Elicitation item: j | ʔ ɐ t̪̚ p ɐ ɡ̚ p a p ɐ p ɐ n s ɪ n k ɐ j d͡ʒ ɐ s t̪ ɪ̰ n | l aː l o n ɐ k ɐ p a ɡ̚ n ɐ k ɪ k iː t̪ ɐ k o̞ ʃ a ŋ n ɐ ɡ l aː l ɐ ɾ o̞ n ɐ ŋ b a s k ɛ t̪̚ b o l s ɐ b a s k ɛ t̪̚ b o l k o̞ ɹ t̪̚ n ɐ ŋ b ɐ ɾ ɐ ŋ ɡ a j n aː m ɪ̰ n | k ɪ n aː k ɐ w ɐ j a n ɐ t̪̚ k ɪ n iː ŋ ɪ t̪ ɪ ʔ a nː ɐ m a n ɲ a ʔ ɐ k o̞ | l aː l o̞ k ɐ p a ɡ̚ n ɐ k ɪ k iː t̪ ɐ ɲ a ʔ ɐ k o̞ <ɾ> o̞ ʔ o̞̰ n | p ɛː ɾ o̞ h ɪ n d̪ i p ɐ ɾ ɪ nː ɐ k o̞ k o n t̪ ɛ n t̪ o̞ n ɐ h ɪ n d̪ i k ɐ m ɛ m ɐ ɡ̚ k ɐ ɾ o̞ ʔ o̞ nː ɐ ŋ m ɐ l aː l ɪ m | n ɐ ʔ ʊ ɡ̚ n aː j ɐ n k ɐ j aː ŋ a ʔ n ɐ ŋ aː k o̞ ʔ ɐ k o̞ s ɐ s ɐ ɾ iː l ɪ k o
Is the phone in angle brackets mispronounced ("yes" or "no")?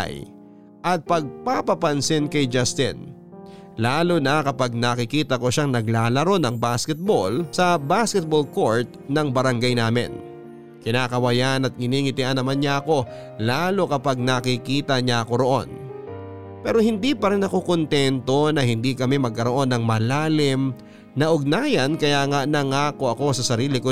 no